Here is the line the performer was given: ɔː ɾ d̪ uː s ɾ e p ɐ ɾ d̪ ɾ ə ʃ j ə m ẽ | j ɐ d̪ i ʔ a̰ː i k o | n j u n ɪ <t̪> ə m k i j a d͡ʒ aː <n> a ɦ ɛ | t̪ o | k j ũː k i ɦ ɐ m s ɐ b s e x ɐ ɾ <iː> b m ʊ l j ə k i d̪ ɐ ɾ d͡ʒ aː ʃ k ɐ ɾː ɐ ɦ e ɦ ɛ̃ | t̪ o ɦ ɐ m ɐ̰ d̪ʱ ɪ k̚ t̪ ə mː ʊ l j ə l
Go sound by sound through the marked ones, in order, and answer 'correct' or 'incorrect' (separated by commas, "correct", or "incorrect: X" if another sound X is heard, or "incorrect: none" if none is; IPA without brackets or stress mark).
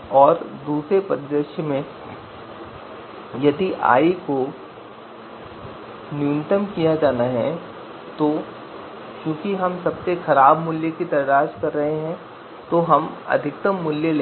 correct, correct, incorrect: aː